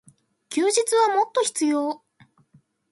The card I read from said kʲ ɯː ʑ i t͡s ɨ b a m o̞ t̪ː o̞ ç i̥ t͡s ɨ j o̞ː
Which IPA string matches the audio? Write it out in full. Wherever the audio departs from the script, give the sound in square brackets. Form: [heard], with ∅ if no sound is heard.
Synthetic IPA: kʲ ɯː ʑ i t͡s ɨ [β] a m o̞ t̪ː o̞ ç i̥ t͡s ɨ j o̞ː